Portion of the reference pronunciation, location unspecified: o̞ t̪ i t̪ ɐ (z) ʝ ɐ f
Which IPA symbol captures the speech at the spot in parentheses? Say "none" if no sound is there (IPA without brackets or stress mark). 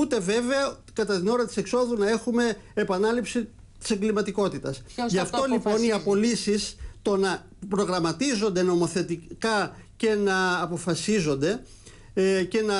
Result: s